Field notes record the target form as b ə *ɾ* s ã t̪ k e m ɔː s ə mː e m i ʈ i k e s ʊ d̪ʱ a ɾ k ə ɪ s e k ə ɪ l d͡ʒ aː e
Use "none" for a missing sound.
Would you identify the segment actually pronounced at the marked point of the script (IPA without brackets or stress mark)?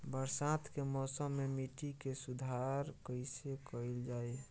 ɾ